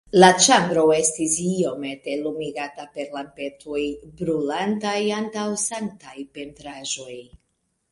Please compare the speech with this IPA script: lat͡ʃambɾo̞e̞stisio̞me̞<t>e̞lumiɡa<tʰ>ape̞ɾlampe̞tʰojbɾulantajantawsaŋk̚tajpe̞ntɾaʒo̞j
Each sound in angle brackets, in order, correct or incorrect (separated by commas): correct, incorrect